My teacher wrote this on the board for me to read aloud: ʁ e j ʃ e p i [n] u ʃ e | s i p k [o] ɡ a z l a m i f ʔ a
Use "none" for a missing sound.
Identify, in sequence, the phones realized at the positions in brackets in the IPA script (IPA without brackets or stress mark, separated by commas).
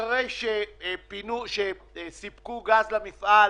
n, u